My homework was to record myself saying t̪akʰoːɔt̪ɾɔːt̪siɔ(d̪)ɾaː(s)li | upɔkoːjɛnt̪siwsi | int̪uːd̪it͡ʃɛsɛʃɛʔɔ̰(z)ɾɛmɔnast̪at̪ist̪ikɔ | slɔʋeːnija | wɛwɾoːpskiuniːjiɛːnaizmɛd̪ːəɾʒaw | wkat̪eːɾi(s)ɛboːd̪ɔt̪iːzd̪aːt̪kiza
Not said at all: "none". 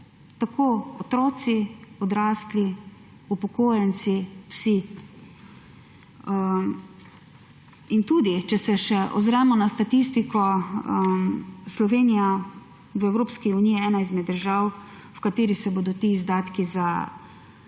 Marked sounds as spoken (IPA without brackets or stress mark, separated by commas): d̪, s, z, s